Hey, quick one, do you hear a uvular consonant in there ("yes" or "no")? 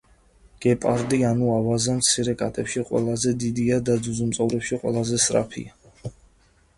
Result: yes